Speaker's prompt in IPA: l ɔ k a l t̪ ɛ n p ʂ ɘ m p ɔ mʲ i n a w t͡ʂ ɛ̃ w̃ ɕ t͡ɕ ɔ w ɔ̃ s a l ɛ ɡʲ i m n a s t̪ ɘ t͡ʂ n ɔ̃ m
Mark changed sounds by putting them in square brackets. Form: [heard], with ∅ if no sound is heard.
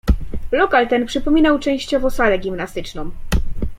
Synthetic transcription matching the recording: l ɔ k a l t̪ ɛ n p ʂ ɘ [∅] p ɔ mʲ i n a w t͡ʂ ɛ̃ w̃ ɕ t͡ɕ ɔ [v] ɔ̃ s a l ɛ ɡʲ i m n a s t̪ ɘ t͡ʂ n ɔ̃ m